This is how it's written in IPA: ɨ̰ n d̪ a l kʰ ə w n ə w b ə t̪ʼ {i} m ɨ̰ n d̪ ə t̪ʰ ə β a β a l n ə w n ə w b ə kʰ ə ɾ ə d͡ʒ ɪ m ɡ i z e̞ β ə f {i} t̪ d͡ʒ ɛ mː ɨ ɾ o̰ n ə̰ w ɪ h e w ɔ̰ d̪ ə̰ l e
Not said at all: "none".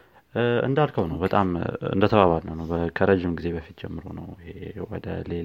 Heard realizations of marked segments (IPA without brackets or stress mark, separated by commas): a, i